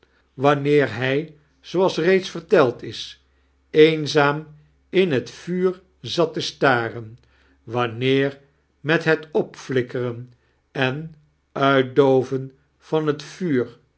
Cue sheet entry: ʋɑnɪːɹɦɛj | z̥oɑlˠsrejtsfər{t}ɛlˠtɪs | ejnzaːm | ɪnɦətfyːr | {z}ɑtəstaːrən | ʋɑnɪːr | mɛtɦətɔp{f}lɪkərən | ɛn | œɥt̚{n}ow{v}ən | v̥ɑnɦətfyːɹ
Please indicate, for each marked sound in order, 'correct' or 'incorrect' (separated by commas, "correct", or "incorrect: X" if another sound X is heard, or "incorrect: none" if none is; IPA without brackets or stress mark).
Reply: correct, correct, correct, incorrect: d, correct